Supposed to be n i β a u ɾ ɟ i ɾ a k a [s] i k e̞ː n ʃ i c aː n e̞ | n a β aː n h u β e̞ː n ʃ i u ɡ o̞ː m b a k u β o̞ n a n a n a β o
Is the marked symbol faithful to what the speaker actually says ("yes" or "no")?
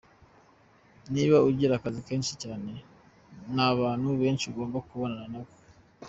no